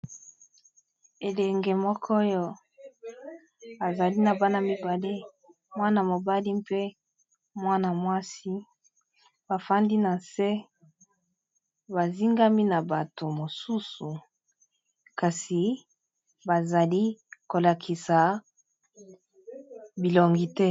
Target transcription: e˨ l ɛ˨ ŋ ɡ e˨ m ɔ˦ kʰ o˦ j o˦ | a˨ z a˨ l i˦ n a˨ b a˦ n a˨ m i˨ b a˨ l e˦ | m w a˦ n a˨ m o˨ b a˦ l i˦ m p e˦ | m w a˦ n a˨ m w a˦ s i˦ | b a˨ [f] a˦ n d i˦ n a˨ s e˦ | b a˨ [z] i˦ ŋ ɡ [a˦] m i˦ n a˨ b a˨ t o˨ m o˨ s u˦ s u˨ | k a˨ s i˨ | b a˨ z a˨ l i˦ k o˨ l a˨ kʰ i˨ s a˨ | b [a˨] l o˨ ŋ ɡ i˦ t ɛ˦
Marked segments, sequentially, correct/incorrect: correct, correct, correct, incorrect: i˨

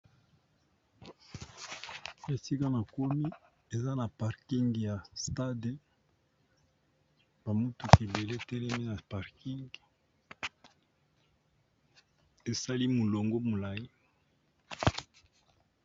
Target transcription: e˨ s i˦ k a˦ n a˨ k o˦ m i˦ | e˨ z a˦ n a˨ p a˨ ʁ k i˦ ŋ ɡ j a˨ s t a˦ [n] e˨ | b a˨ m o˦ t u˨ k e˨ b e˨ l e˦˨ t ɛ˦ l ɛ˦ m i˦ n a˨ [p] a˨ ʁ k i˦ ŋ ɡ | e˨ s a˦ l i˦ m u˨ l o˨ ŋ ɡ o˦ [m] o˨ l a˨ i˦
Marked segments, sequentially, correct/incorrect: incorrect: d, correct, correct

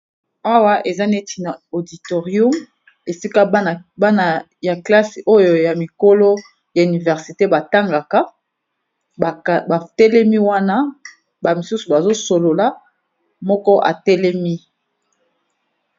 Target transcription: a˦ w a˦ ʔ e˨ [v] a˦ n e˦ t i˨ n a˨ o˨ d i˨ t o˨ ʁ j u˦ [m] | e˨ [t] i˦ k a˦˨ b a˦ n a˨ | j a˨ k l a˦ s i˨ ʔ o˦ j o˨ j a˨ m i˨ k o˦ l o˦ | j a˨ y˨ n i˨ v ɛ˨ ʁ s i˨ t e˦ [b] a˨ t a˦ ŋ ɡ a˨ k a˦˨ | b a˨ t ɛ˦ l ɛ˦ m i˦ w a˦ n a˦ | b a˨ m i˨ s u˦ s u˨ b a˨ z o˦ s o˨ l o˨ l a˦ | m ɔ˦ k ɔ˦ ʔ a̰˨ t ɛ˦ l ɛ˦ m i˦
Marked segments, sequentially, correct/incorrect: incorrect: z, correct, incorrect: s, correct

